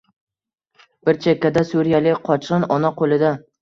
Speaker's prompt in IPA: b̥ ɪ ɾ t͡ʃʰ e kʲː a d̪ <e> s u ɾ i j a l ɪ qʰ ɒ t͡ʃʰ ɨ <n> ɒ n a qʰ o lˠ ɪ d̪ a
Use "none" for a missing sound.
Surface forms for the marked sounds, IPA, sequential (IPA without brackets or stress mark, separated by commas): a, n